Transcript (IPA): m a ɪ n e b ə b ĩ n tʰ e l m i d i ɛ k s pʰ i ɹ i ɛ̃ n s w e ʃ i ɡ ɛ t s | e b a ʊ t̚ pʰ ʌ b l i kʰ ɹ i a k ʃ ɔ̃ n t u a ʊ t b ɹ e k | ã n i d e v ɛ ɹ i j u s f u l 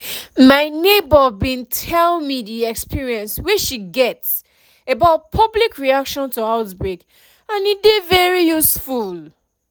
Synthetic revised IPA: m a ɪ n e b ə b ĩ n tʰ ɛ l m i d i ɛ k s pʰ i ɹ i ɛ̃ n s w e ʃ i ɡ ɛ t s | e b a ʊ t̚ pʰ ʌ b l i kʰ ɹ i a k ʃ ɔ̃ n t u a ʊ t b ɹ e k | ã n i d e v ɛ ɹ i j u s f u l

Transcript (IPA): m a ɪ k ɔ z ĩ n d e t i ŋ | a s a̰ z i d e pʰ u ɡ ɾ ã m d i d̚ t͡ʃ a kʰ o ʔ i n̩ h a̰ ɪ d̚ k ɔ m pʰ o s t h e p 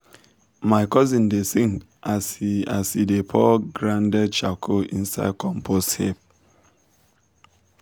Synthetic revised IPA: m a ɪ k ɔ z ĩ n d e s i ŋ | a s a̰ s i d e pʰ ɔ ɡ ɾ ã n d ɛ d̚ t͡ʃ a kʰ o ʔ i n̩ s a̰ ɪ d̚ k ɔ m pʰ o s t h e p

